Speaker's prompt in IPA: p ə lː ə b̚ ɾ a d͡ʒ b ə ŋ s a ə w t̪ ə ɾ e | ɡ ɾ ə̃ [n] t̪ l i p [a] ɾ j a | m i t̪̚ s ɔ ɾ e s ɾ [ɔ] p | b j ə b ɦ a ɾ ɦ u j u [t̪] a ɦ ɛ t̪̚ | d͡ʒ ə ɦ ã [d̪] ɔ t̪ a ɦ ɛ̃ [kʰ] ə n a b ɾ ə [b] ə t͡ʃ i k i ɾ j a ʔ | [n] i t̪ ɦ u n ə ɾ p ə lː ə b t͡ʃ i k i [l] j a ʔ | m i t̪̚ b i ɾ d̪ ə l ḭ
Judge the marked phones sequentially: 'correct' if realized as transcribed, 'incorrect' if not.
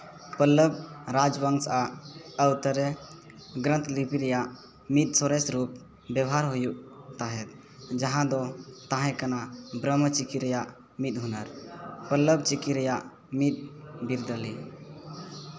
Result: correct, incorrect, incorrect, correct, correct, incorrect, incorrect, incorrect, incorrect

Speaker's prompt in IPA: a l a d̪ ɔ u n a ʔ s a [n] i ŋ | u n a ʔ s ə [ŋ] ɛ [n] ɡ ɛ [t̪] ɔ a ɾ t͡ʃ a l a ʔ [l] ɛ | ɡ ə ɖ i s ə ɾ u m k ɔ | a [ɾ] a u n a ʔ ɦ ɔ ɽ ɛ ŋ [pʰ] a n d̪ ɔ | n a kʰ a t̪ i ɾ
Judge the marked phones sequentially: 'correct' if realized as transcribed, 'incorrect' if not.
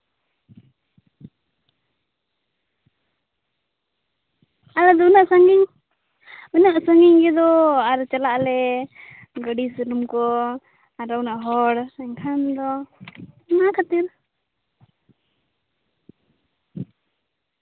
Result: incorrect, correct, incorrect, incorrect, correct, correct, incorrect

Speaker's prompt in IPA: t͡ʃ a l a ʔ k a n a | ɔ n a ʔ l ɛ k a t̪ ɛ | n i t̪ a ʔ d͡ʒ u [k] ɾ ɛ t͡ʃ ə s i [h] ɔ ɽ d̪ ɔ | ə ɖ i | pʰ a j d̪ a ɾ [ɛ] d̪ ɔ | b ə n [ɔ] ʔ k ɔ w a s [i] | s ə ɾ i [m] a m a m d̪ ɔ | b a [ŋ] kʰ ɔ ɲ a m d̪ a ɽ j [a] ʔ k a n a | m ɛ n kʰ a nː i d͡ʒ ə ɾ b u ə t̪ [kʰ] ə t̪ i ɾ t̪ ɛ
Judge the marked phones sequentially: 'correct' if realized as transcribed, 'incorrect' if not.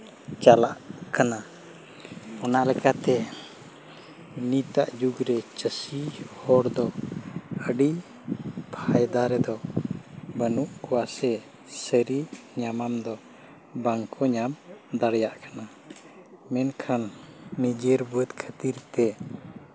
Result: incorrect, correct, correct, incorrect, incorrect, incorrect, correct, correct, correct

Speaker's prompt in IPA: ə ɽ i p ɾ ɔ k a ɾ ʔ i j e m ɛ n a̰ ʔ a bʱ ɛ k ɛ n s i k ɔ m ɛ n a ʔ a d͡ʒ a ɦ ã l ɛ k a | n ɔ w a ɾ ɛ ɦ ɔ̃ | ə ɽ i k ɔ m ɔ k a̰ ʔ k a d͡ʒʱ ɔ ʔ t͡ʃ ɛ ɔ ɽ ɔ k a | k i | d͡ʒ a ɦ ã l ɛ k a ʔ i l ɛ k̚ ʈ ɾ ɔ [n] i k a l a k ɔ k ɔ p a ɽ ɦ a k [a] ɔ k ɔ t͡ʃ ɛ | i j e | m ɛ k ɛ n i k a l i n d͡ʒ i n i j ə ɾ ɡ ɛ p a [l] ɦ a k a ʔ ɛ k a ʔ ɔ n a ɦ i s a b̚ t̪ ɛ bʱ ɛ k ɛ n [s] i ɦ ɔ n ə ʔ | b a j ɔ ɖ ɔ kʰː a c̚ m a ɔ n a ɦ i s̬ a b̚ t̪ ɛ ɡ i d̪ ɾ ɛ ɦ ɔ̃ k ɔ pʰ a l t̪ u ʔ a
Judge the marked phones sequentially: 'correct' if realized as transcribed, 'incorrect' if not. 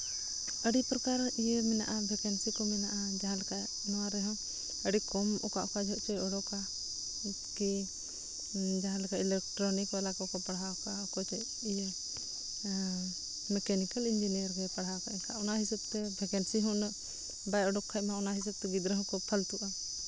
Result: correct, correct, incorrect, correct

